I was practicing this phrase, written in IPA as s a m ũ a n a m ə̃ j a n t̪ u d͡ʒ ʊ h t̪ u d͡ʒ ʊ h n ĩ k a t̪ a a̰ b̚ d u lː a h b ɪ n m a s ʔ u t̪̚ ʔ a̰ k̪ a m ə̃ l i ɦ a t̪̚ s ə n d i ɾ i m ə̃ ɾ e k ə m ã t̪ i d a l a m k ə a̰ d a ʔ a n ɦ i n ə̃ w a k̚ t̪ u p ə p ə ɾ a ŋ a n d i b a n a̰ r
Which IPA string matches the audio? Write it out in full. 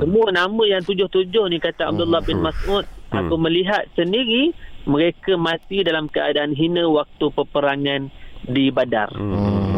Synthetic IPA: s ə m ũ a n a m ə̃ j a ŋ t̪ u d͡ʒ ʊ h t̪ u d͡ʒ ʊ h n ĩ k a t̪ a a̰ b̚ d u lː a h b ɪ n m a s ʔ u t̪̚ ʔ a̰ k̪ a m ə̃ l i ɦ a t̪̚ s ə n d i ɾ i m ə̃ ɾ e k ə m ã t̪ i d a l a m k ə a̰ d a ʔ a n ɦ i n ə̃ w a k̚ t̪ u p ə p ə ɾ a ŋ a n d i b a d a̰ r